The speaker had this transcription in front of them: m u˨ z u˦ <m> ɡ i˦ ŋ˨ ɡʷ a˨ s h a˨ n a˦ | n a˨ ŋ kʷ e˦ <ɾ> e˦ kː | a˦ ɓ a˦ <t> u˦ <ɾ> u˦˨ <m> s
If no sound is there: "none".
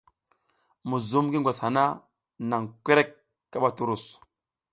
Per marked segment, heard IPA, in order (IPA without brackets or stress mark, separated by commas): m, ɾ, t, ɾ, none